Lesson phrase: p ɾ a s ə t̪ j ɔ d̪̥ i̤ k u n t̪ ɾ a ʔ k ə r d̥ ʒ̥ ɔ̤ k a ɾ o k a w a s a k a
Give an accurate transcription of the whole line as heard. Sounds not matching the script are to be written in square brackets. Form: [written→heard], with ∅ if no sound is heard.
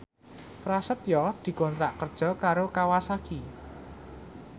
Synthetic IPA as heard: p ɾ a s ə t̪ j ɔ d̪̥ i̤ k [u→ɔ] n t̪ ɾ a ʔ k ə r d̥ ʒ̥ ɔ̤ k a ɾ o k a w a s a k [a→i]